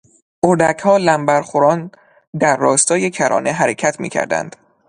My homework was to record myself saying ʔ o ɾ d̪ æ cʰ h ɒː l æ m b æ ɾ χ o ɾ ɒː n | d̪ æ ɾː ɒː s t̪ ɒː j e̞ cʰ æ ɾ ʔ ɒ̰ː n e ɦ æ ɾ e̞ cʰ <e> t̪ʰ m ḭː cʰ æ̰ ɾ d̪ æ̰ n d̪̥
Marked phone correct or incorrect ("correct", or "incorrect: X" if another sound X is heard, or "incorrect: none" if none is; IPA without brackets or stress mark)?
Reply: incorrect: æ